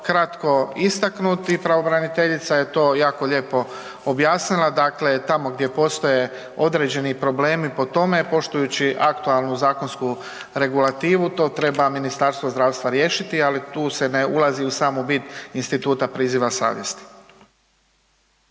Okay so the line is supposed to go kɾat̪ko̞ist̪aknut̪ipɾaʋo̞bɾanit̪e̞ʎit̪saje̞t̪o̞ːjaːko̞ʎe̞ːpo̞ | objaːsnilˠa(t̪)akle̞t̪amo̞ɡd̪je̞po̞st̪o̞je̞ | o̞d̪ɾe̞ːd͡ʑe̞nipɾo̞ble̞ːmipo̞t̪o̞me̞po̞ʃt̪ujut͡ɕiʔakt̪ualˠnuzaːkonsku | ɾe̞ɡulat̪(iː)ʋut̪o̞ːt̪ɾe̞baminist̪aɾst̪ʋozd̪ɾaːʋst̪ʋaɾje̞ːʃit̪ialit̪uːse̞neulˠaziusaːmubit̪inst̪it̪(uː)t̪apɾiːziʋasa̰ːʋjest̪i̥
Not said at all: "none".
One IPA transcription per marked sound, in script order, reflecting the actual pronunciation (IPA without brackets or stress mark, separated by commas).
d̪, iː, uː